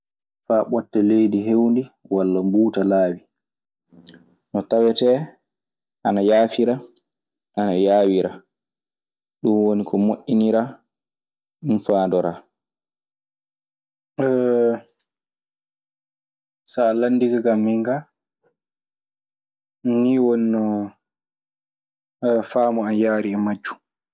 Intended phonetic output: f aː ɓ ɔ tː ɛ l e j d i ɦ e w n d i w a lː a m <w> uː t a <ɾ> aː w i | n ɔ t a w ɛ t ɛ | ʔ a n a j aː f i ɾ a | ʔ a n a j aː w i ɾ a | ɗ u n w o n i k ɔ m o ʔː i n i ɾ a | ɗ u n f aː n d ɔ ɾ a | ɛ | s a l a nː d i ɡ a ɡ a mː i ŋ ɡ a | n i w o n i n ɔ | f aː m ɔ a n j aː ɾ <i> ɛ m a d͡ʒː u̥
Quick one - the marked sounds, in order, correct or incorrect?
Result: incorrect: b, incorrect: l, correct

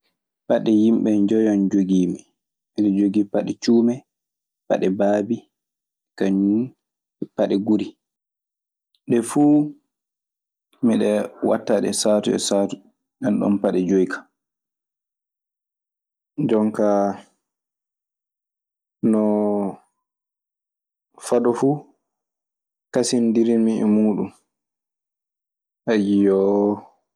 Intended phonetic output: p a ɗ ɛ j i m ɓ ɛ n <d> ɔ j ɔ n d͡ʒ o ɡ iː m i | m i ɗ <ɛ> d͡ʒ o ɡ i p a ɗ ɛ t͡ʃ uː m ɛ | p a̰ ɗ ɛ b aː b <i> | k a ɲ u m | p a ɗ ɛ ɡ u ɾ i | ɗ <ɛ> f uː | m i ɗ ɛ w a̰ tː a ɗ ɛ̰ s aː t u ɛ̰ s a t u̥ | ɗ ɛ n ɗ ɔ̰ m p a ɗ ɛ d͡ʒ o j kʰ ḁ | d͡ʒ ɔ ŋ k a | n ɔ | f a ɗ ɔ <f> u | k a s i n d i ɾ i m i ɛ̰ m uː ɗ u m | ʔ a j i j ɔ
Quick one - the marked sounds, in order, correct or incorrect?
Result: incorrect: d͡ʒ, correct, correct, correct, correct

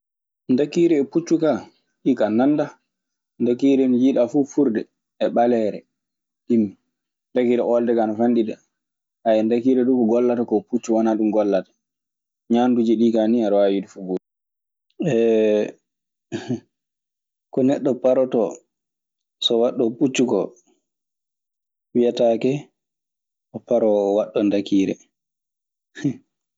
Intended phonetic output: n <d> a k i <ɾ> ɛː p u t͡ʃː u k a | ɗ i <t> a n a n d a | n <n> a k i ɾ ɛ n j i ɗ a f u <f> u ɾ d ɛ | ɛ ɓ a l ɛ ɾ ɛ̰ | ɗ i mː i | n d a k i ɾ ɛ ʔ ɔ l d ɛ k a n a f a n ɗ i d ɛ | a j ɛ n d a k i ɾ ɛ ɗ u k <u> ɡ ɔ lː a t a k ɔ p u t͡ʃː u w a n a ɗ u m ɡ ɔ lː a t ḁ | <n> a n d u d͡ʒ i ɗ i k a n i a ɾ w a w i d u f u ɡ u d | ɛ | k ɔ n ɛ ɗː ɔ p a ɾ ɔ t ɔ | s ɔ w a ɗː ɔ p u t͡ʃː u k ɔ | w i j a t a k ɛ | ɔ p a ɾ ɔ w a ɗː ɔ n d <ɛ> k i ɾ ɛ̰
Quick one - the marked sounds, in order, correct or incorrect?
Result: correct, correct, incorrect: k, incorrect: d, correct, incorrect: ɔ, incorrect: ɲ, incorrect: a

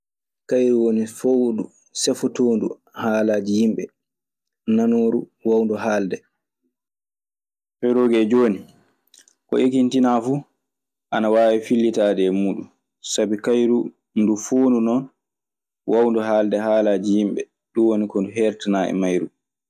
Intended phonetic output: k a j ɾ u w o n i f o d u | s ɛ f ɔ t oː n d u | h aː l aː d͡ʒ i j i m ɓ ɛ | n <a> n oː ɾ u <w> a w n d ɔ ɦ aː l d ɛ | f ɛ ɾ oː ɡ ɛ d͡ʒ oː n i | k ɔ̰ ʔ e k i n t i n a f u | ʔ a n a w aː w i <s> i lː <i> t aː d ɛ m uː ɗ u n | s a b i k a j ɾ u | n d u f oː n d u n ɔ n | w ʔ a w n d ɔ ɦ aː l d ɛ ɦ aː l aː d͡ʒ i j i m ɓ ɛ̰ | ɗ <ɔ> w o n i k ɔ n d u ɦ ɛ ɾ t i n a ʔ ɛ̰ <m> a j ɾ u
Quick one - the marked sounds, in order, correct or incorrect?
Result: correct, correct, incorrect: f, correct, incorrect: u, correct

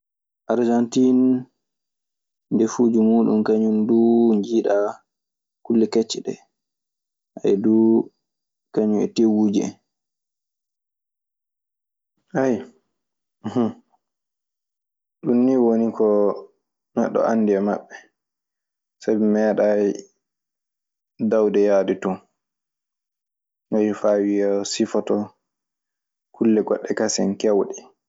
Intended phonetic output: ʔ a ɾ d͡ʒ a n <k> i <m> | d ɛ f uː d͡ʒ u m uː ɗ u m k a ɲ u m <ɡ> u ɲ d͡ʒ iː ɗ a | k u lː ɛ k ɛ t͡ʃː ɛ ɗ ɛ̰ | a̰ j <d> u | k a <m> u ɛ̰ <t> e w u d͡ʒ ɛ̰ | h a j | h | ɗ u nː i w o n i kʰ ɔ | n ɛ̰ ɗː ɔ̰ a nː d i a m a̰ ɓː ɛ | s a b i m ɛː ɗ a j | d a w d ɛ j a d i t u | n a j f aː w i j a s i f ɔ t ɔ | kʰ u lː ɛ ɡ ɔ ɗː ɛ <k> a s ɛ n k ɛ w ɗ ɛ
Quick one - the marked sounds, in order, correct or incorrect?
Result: incorrect: t, incorrect: n, incorrect: d, correct, incorrect: ɲ, correct, correct

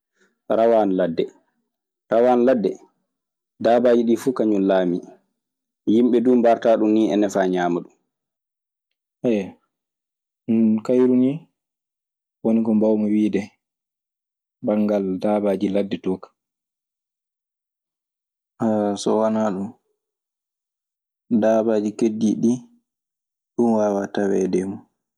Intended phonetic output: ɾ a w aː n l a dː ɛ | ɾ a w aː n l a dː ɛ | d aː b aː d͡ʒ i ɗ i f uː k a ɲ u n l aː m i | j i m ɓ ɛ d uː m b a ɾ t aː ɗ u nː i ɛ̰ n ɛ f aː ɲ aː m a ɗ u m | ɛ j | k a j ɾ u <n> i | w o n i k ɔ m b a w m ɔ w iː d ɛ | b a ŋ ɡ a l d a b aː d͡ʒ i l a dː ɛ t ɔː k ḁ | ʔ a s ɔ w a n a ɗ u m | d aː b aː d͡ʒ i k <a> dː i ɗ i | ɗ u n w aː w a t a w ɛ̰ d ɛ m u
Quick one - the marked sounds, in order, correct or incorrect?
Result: correct, incorrect: e

